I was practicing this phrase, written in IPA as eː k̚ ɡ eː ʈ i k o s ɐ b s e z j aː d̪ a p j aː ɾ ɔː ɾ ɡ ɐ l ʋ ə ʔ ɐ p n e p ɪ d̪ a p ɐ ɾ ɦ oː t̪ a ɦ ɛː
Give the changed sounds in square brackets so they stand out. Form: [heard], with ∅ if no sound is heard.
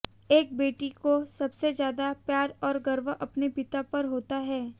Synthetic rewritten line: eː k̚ [b] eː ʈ i k o s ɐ b s e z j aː d̪ a p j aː ɾ ɔː ɾ ɡ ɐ [ɾ] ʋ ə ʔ ɐ p n e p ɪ [t̪] a p ɐ ɾ ɦ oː t̪ a ɦ ɛː